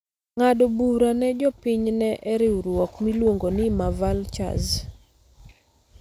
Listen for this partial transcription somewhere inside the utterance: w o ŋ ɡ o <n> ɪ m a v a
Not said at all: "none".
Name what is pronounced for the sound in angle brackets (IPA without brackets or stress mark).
n